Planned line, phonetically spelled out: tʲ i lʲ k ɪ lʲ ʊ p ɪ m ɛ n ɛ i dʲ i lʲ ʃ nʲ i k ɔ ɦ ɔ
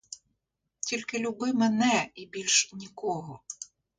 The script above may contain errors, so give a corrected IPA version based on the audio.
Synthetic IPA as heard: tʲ i lʲ k ɪ lʲ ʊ b ɪ m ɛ n ɛ i bʲ i lʲ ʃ nʲ i k ɔ ɦ ɔ